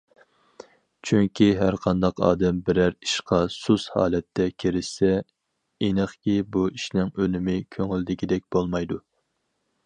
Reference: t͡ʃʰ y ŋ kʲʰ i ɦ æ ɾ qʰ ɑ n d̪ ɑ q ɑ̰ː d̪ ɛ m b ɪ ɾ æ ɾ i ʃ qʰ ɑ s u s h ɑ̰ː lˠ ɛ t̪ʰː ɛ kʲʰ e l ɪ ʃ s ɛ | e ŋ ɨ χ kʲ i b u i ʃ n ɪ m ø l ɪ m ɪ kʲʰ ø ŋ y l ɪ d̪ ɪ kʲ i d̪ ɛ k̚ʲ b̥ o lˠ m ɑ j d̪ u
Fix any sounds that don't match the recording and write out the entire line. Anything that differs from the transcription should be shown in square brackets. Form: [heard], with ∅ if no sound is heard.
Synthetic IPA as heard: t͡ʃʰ y ŋ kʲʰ i ɦ æ ɾ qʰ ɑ n d̪ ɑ q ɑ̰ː d̪ ɛ m b ɪ ɾ æ ɾ i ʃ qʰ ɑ s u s h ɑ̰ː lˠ ɛ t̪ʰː ɛ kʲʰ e [ɾ] ɪ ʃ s ɛ | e [n] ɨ χ kʲ i b u i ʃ n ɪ [ŋ] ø l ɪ m ɪ kʲʰ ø ŋ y l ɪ d̪ ɪ kʲ i d̪ ɛ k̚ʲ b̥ o lˠ m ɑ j d̪ u